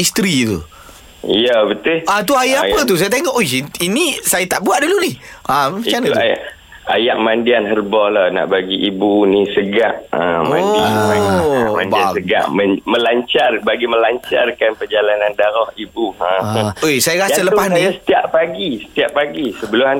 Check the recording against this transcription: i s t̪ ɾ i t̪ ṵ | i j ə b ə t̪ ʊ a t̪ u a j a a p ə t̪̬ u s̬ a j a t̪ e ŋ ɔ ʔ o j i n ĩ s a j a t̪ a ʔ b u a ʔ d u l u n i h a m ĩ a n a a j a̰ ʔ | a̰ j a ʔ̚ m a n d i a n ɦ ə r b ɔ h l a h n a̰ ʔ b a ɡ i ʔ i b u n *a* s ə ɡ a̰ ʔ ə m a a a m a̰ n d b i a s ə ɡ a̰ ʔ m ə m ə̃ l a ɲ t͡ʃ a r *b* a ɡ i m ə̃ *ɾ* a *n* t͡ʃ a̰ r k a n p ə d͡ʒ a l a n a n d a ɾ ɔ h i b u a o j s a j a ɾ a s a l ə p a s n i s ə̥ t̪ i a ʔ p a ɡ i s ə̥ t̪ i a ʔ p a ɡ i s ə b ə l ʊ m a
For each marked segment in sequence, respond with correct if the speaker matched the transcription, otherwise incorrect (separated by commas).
incorrect, correct, incorrect, incorrect